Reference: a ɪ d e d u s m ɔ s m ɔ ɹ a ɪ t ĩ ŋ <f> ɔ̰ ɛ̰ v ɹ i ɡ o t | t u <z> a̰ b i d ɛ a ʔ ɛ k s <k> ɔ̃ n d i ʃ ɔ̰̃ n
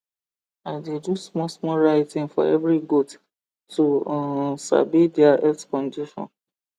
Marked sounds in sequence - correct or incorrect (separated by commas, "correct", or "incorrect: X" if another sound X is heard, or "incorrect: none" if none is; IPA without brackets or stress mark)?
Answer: correct, incorrect: s, correct